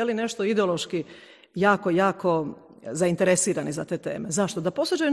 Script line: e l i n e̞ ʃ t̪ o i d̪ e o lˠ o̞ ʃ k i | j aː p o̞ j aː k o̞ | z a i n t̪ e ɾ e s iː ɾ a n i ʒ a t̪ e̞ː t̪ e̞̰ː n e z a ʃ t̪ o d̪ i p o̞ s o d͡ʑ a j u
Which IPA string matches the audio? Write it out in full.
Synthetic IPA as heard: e l i n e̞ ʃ t̪ o i d̪ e o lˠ o̞ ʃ k i | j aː k o̞ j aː k o̞ | z a i n t̪ e ɾ e s iː ɾ a n i z a t̪ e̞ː t̪ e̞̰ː m e z a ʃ t̪ o d̪ a p o̞ s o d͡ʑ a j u